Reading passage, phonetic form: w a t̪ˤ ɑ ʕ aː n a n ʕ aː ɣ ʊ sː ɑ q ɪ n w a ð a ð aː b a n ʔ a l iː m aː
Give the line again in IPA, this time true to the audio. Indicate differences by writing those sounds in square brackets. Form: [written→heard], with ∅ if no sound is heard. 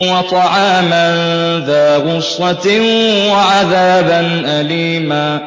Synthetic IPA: w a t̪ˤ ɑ ʕ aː [n→m] a n [ʕ→ð] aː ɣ ʊ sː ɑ [q→t] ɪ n w a [ð→ʕ] a ð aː b a n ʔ a l iː m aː